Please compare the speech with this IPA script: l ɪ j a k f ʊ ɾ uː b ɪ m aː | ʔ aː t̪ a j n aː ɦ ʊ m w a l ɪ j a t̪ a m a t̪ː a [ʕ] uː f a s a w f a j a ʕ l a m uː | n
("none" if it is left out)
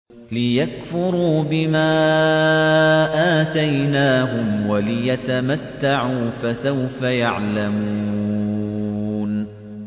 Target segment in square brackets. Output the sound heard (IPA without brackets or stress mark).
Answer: ʕ